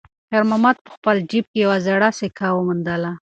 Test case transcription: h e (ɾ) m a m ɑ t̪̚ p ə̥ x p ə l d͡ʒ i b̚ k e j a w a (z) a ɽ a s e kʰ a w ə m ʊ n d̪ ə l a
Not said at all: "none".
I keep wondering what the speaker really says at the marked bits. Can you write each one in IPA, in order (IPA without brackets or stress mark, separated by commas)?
ɾ, z